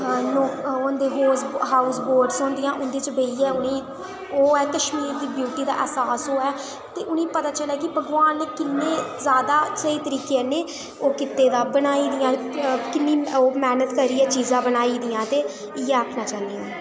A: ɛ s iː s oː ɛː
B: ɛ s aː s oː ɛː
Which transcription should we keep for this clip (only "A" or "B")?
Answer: B